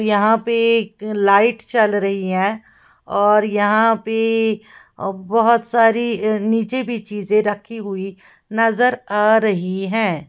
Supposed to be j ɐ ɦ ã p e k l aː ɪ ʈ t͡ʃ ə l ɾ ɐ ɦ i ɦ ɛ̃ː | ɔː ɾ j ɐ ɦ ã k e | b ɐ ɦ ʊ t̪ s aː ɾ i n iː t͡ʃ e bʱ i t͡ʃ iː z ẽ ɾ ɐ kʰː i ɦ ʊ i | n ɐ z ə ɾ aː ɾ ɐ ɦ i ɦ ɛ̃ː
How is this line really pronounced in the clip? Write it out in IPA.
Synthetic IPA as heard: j ɐ ɦ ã p e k l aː ɪ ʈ t͡ʃ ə l ɾ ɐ ɦ i ɦ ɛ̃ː | ɔː ɾ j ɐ ɦ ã p e | b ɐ ɦ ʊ t̪ s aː ɾ i n iː t͡ʃ e bʱ i t͡ʃ iː z ẽ ɾ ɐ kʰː i ɦ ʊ i | n ɐ z ə ɾ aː ɾ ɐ ɦ i ɦ ɛ̃ː